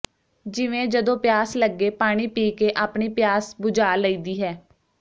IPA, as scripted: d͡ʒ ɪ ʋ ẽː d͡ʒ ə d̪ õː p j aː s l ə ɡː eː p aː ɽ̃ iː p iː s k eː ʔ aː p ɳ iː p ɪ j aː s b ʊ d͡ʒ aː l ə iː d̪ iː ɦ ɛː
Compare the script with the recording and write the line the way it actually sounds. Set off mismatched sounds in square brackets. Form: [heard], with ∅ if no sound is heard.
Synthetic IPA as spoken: d͡ʒ ɪ ʋ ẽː d͡ʒ ə d̪ õː p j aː s l ə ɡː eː p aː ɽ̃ iː p iː [∅] k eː ʔ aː p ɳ iː p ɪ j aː s b ʊ d͡ʒ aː l ə iː d̪ iː ɦ ɛː